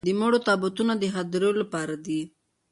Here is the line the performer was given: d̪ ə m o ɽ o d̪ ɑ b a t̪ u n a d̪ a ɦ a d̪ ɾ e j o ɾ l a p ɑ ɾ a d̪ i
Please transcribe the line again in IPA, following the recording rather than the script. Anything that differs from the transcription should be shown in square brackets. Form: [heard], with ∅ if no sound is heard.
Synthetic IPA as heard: d̪ ə m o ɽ o [t̪] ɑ b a t̪ u n a d̪ [ə] ɦ a d̪ ɾ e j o [∅] l a p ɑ ɾ a d̪ i